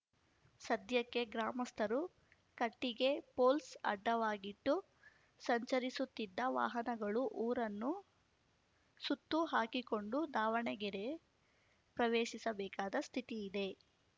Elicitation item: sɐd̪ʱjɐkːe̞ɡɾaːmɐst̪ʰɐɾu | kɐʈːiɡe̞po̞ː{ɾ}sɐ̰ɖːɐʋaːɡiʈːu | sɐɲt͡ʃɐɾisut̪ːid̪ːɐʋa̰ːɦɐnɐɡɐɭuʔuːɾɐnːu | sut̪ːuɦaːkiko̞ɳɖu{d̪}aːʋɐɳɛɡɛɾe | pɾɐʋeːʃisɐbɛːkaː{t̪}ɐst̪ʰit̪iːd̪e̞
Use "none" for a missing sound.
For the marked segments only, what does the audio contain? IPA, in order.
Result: l, d̪, d̪

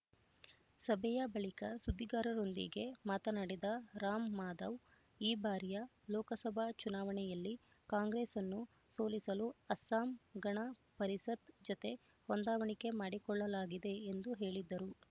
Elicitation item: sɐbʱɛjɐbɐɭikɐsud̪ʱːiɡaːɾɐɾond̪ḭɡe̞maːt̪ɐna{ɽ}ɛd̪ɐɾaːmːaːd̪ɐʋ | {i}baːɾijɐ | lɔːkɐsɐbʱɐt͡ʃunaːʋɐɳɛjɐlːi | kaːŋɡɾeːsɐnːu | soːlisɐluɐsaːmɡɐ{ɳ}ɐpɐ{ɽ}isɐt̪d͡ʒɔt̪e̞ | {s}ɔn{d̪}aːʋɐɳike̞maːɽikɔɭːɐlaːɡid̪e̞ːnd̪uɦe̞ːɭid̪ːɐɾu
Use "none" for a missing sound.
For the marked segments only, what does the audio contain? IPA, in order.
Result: ɽ, iː, ɳ, ɾ, h, d̪

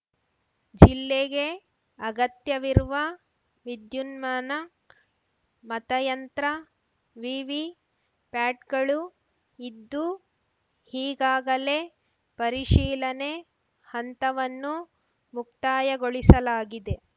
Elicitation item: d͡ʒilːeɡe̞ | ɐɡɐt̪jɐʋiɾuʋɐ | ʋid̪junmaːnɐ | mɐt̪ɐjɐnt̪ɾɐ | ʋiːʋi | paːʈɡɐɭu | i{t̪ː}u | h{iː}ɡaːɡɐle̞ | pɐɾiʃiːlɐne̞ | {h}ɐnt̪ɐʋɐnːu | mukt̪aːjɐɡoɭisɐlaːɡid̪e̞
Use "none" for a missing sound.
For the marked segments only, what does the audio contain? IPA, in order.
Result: d̪ː, iː, h

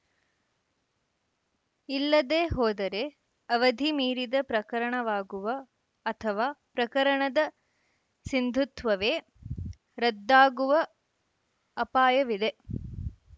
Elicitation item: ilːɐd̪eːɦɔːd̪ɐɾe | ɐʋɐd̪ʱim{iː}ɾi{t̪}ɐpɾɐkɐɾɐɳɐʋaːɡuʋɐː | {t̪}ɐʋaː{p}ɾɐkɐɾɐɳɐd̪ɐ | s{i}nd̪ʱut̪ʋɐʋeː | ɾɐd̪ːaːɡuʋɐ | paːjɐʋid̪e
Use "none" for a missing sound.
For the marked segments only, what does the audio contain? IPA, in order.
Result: iː, d̪, t̪ʰ, p, i

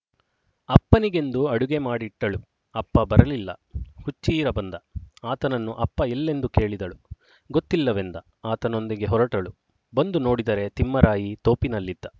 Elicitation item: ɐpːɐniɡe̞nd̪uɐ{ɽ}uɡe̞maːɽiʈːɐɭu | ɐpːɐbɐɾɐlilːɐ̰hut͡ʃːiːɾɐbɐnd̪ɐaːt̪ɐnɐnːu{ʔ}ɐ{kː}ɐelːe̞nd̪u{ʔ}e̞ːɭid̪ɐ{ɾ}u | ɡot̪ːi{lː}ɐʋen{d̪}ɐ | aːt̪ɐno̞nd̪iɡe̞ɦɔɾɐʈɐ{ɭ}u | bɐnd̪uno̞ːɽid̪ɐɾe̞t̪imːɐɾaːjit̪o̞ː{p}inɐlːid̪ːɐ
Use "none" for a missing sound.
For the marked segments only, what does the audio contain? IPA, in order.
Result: ɽ, ʔ, pː, k, ɭ, lː, d̪, ɭ, p

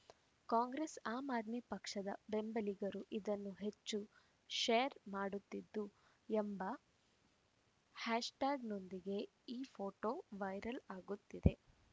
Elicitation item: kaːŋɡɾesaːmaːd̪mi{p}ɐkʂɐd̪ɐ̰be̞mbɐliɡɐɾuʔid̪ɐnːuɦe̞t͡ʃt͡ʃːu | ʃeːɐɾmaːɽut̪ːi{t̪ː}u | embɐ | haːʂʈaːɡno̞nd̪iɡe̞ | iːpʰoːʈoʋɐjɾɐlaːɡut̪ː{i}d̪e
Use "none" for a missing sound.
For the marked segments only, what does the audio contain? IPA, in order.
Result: p, d̪ː, i

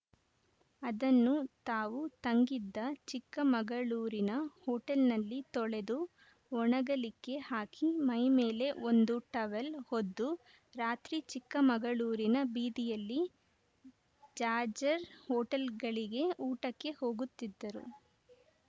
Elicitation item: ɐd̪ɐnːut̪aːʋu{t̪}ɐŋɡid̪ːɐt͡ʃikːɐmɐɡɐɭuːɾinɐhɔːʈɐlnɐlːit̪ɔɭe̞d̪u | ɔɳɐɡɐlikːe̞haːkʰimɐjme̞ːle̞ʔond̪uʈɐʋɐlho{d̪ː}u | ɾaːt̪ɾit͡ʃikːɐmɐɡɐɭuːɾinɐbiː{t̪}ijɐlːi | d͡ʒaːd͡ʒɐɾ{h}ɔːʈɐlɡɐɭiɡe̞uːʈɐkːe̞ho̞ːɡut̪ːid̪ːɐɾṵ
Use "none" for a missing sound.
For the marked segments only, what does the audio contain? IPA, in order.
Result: t̪, d̪ː, d̪, h

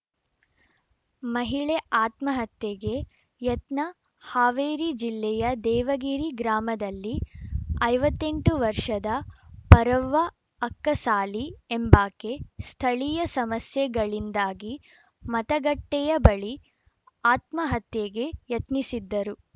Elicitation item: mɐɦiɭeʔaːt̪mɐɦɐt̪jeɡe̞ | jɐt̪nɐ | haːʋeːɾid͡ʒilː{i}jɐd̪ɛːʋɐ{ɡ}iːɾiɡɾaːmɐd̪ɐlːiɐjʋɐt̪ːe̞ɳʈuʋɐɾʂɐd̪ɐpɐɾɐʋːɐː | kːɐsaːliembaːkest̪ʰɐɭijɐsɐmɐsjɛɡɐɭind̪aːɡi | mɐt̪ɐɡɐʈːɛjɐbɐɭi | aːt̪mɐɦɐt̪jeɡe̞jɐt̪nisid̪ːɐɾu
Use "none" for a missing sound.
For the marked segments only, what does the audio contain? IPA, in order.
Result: ɛ, ɡ

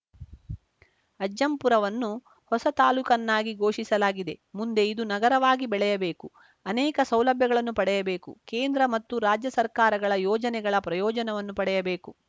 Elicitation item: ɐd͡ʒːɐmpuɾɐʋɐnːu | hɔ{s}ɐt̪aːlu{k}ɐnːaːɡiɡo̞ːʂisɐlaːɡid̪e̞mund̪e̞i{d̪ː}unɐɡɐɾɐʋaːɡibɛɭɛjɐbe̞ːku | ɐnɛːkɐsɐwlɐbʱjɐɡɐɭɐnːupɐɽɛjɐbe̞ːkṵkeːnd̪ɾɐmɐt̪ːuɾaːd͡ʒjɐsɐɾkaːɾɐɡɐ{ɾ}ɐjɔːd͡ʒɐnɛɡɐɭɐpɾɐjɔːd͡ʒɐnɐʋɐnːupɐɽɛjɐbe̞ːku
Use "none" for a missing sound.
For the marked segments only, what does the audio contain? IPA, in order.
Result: s, k, d̪, ɭ

